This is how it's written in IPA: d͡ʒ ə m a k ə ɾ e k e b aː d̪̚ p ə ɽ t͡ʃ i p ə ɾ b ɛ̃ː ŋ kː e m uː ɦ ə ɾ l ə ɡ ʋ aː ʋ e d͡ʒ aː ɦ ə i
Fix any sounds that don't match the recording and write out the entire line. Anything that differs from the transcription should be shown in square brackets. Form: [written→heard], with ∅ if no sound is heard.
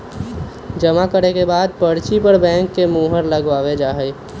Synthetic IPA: d͡ʒ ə m a k ə ɾ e k e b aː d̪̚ p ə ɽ t͡ʃ i p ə ɾ b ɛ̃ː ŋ kː e m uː ɦ ə ɾ l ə ɡ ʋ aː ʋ e d͡ʒ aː ɦ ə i